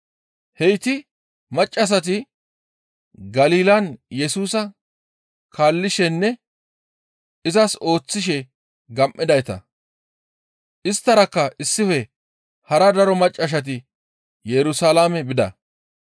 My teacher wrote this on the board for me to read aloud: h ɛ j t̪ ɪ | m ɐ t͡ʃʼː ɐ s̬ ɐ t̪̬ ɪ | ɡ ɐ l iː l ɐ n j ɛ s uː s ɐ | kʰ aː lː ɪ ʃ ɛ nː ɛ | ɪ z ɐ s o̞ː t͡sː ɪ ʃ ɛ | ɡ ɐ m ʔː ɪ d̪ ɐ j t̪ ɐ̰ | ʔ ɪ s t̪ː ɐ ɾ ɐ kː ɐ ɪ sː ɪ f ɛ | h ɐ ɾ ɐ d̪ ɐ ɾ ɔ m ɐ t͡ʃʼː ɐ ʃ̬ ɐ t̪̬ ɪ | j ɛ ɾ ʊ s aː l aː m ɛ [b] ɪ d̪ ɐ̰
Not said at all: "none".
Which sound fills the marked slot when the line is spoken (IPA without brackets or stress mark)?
b